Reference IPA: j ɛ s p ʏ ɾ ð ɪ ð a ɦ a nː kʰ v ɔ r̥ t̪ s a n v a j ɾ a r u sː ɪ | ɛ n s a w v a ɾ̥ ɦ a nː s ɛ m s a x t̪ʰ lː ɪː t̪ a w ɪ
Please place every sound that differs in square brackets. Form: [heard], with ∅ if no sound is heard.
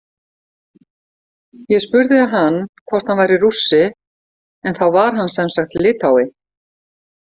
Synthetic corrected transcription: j ɛ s p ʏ ɾ ð ɪ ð a ɦ a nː kʰ v ɔ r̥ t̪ [h] a n v a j ɾ [i] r u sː ɪ | ɛ n [θ] a w v a ɾ̥ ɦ a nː s ɛ m s a x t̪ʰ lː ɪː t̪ a w ɪ